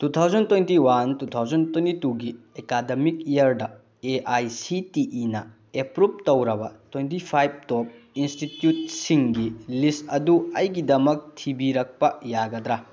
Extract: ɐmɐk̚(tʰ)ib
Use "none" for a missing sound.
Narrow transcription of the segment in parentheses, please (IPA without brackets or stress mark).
tʰ